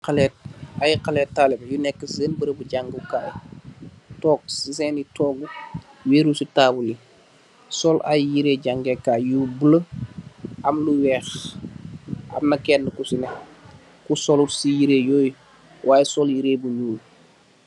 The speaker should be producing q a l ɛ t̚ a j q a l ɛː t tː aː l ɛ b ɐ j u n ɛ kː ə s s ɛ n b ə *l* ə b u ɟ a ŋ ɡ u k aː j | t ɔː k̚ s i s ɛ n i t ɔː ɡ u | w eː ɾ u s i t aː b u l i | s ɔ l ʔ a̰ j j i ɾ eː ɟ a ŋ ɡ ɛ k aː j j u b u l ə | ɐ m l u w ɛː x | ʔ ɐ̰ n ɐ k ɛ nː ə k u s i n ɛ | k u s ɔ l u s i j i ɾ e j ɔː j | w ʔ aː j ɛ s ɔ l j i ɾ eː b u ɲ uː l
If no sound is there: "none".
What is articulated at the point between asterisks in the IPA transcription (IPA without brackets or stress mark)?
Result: ɾ